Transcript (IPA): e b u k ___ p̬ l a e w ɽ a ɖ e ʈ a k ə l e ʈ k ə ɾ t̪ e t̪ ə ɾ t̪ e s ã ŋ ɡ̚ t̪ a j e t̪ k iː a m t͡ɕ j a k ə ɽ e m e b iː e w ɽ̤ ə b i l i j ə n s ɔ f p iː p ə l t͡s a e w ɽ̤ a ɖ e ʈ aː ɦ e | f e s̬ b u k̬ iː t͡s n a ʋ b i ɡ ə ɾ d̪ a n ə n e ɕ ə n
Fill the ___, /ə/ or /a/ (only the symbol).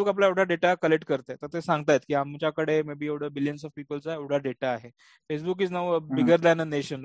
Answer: a